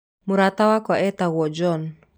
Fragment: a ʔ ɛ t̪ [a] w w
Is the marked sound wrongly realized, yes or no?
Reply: no